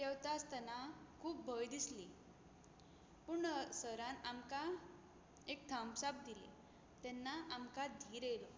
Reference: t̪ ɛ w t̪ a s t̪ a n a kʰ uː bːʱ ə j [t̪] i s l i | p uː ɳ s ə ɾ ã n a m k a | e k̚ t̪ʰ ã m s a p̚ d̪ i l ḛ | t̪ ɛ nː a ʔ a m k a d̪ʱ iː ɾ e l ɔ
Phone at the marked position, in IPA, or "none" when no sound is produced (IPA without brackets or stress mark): d̪